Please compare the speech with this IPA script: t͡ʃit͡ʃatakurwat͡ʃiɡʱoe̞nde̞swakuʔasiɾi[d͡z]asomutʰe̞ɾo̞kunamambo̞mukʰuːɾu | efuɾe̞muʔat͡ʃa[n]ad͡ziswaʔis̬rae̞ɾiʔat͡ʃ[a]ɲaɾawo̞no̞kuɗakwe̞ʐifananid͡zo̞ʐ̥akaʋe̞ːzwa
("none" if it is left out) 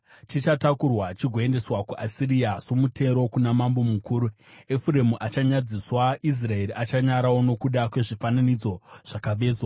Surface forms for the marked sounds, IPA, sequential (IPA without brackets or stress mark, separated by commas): none, ɲ, a